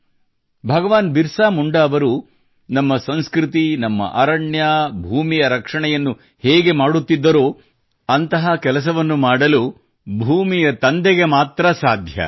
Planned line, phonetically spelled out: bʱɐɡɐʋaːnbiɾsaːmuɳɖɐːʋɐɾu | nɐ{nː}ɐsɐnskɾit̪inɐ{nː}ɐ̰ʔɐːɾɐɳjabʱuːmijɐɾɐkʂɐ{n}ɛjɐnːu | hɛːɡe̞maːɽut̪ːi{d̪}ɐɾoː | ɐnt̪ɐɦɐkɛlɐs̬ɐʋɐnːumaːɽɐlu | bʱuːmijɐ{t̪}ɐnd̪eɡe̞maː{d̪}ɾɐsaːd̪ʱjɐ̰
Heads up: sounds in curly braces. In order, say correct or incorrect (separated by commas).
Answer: incorrect, incorrect, incorrect, incorrect, correct, incorrect